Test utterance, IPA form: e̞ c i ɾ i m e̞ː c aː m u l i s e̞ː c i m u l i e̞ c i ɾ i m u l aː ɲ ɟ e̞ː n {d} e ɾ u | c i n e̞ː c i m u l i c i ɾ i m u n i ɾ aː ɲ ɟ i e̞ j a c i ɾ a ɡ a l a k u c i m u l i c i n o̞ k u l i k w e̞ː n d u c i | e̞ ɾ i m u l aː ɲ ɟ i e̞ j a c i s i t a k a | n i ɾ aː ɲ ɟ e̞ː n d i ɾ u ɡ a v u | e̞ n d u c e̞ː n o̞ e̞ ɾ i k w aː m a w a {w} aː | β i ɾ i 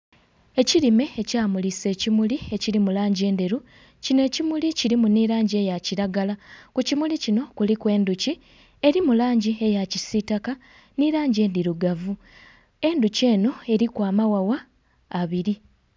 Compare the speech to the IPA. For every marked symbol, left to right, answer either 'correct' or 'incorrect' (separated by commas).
correct, correct